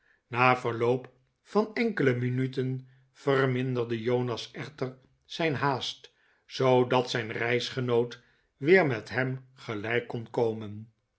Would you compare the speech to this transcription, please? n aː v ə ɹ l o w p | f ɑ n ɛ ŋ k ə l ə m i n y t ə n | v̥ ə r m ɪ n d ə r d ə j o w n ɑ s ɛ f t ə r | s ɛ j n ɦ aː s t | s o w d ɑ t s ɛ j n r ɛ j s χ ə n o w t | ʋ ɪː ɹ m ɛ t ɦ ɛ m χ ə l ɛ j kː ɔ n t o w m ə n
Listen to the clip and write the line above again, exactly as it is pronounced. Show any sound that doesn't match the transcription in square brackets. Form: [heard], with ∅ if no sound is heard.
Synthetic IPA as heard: n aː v ə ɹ l o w p | f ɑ n ɛ ŋ k ə l ə m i n y t ə n | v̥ ə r m ɪ n d ə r d ə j o w n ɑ s ɛ [χ] t ə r | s ɛ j n ɦ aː s t | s o w d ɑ t s ɛ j n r ɛ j s χ ə n o w t | ʋ ɪː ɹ m ɛ t ɦ ɛ m χ ə l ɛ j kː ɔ n [k] o w m ə n